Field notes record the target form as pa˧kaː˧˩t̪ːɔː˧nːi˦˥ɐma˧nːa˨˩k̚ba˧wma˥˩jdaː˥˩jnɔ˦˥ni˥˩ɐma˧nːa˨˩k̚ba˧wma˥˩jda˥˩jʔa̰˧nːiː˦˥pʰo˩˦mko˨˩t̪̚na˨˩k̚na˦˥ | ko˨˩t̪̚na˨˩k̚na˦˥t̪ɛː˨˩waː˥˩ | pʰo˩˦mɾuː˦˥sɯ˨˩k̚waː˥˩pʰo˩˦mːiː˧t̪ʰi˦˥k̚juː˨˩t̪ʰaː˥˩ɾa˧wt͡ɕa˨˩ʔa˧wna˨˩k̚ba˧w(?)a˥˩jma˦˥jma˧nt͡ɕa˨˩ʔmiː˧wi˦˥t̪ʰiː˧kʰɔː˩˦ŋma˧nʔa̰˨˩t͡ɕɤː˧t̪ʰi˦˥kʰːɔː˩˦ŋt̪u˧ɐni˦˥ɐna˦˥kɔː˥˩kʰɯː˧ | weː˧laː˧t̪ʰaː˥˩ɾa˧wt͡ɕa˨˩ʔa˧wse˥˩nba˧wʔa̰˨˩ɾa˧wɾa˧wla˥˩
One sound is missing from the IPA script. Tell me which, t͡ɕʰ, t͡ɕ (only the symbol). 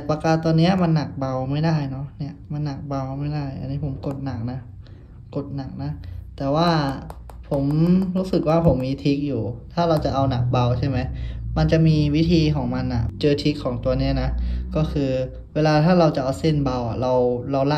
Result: t͡ɕʰ